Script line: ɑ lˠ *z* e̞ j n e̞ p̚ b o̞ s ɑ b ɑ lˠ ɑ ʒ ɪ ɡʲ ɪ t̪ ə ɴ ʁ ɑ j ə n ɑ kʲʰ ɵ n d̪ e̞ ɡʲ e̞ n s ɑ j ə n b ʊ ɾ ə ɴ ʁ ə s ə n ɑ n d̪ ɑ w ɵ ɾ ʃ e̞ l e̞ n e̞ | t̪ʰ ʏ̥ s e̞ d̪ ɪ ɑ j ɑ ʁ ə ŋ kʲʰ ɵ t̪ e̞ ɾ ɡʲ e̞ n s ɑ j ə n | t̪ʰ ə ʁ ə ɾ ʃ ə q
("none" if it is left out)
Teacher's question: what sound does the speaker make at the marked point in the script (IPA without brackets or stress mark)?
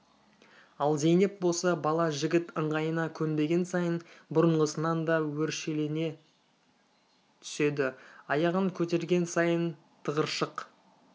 z